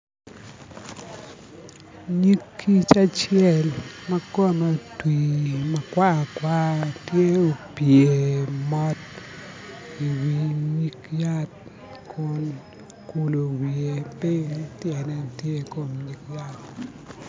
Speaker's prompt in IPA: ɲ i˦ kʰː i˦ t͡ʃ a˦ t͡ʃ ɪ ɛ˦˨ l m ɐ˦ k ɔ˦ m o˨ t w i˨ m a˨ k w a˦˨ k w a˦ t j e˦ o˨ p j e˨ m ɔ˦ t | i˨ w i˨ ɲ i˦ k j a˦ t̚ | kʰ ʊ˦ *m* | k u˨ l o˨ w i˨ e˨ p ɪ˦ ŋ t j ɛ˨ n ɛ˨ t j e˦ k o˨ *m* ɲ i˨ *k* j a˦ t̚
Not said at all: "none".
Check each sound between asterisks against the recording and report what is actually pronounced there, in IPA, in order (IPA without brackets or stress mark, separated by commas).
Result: n, m, k